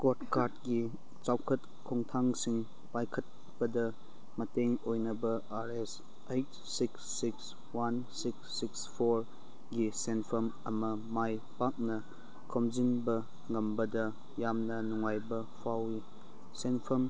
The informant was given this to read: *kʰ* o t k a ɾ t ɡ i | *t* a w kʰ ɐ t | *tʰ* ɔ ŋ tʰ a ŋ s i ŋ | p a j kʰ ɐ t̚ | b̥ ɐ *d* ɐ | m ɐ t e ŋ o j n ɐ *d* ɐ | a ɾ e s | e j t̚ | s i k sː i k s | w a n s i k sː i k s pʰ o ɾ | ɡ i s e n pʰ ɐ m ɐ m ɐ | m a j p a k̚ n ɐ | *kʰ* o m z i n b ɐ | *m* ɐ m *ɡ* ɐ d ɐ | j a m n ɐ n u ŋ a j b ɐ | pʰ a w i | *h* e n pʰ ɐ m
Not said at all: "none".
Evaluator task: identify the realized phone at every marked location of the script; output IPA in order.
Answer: k, t͡ʃ, kʰ, d, b, kʰ, ŋ, b, s

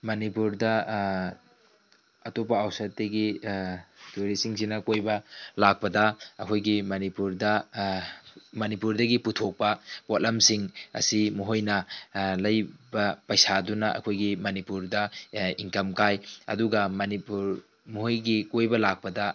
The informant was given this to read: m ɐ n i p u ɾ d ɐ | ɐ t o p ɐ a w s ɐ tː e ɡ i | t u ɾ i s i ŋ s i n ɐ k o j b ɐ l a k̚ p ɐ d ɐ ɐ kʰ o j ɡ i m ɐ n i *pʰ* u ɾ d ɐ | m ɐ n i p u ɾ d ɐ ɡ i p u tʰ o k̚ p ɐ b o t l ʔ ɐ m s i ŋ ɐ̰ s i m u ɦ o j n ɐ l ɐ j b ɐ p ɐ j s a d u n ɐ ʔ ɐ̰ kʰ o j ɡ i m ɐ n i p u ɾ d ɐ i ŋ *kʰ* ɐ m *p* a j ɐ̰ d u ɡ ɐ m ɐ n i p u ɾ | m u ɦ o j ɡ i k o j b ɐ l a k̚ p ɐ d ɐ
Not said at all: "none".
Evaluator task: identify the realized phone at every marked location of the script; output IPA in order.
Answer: p, k, k

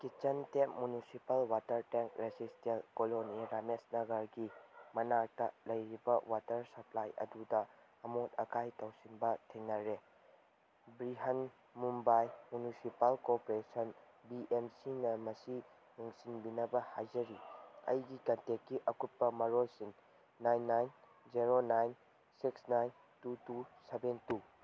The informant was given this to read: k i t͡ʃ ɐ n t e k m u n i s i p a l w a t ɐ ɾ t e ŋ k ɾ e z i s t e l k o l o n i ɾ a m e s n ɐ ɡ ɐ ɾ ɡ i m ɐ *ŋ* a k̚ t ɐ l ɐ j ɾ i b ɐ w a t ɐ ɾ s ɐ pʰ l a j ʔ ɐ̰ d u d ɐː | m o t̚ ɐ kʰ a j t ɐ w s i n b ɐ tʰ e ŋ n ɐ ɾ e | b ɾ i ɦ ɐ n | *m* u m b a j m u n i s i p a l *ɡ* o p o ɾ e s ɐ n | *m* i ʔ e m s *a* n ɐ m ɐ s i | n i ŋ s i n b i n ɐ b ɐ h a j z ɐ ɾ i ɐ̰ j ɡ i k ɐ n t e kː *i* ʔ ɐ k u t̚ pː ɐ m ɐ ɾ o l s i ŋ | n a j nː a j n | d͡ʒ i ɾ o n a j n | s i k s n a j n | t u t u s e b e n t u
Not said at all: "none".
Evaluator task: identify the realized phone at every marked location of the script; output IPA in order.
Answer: n, m, k, b, i, i

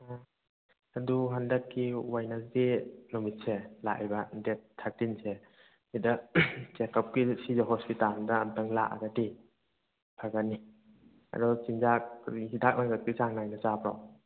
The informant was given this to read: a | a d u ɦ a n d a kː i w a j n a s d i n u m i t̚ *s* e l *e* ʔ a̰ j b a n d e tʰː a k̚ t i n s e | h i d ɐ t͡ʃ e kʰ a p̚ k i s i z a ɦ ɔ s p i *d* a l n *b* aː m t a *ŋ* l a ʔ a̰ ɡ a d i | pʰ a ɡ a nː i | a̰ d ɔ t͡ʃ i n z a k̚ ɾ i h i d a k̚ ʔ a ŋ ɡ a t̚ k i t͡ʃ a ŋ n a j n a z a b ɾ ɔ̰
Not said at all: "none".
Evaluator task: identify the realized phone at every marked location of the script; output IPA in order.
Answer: s, a, t, d, ŋ

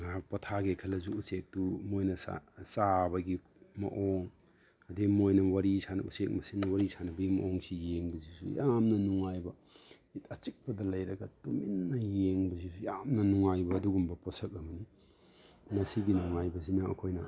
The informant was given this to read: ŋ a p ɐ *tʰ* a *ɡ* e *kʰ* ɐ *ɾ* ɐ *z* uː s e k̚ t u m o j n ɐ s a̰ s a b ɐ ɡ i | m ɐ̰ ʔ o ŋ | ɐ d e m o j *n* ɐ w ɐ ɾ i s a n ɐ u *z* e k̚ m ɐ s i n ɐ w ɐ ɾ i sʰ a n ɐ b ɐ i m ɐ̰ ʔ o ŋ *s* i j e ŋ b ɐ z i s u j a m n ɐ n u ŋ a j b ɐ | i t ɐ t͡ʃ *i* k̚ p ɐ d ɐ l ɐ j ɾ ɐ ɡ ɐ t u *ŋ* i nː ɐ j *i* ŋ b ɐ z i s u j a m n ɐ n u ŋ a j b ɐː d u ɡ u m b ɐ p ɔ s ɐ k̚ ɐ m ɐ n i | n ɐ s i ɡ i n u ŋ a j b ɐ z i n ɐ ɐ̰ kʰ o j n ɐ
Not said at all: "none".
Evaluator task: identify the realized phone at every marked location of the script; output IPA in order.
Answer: tʰ, ɡ, kʰ, l, z, n, s, s, i, m, e

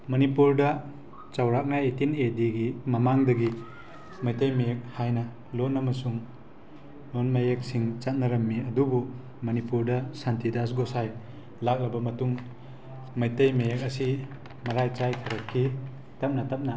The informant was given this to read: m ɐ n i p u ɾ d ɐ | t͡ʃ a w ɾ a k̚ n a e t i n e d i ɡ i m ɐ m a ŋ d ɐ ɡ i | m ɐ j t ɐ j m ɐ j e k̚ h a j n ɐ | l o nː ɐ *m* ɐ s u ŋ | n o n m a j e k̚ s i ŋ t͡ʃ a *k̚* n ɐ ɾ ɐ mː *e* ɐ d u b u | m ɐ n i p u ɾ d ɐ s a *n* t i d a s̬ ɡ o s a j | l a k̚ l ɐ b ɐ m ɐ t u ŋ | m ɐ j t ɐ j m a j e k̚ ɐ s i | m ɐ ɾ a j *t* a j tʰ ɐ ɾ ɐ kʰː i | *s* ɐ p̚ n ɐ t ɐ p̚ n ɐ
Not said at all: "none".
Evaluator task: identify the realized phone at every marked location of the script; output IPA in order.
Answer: m, t̚, i, n, t͡ʃ, t

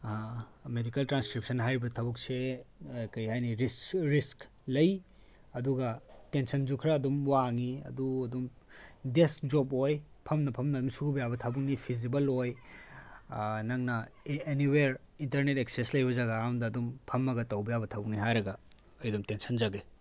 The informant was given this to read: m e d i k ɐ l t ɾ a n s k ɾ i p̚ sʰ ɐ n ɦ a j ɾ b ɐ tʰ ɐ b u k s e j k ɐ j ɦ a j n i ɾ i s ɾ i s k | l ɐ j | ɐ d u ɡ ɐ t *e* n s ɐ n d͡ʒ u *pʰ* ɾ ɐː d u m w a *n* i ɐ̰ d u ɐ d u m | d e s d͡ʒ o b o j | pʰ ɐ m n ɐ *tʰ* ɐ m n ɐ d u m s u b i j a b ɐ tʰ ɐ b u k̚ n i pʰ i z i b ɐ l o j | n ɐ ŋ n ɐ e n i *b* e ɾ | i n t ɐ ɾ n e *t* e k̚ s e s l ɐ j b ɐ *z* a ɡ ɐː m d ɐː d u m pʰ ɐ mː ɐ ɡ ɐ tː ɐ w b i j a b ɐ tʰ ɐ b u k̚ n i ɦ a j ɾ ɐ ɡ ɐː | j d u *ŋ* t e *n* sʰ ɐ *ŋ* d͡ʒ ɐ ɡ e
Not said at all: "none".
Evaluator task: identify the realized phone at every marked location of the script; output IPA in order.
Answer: e, kʰ, ŋ, pʰ, w, t, z, m, n, n

